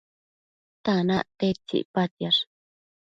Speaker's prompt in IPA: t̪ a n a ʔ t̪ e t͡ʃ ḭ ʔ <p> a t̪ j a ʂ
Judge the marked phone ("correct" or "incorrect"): correct